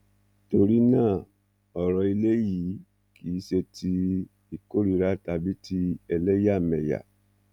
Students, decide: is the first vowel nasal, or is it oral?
oral